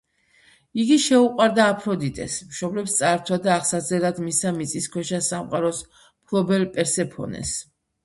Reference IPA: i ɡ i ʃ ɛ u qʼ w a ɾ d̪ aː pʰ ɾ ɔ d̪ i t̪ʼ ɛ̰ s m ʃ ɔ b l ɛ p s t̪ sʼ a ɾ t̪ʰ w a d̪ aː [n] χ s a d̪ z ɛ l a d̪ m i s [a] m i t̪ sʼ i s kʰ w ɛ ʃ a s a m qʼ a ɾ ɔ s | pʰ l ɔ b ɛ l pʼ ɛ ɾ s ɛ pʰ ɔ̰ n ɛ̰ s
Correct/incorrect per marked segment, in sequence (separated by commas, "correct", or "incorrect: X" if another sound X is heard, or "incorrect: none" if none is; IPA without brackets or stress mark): incorrect: none, correct